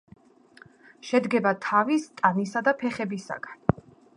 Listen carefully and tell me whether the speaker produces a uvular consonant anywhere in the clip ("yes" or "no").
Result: yes